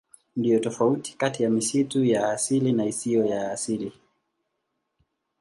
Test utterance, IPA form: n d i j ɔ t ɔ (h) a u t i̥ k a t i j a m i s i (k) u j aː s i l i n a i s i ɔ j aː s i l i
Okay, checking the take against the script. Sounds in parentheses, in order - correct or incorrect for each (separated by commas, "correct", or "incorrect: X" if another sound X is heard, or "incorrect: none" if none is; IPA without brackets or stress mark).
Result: incorrect: f, incorrect: t